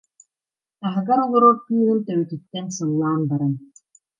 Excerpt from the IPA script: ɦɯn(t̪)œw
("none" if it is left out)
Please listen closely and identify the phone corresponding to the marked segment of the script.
t̪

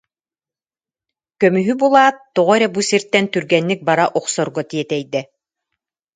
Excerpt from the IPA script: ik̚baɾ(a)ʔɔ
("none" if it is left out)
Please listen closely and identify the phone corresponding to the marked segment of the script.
a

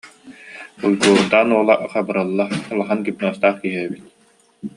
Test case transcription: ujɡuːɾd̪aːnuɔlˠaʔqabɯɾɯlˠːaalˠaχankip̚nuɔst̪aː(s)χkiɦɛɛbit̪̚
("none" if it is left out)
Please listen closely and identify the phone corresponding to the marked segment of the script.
none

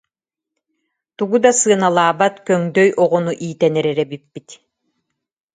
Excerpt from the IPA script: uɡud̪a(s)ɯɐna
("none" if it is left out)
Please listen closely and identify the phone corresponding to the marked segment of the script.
s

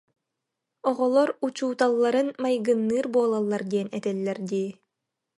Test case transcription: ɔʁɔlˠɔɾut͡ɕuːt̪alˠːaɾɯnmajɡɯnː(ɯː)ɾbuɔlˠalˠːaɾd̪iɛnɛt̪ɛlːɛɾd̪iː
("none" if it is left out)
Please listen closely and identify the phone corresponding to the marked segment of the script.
ɯː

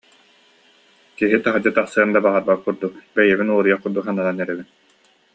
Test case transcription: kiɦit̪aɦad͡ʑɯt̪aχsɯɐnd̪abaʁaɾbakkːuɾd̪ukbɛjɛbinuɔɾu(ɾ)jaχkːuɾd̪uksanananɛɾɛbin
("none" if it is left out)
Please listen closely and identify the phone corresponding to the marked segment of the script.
none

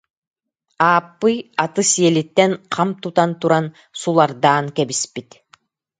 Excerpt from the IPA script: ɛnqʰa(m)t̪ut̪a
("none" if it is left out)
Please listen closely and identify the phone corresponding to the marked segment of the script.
m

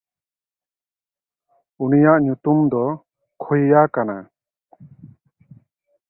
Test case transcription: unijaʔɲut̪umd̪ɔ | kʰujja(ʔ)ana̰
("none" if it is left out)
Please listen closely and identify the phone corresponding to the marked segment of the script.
k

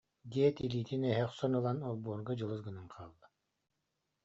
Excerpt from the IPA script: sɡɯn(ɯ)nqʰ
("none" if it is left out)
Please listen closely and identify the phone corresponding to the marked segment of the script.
ɯ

